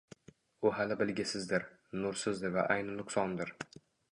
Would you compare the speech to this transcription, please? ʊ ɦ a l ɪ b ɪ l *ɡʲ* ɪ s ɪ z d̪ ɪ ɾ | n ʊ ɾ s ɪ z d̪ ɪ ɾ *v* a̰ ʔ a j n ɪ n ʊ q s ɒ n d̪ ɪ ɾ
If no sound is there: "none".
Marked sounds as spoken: ɡʲ, v

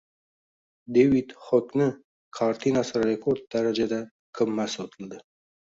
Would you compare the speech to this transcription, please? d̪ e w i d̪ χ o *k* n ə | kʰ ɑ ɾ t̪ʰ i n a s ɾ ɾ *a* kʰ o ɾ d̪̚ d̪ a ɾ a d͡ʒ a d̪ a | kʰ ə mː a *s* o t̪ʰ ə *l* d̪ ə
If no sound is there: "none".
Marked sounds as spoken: k, e, s, l

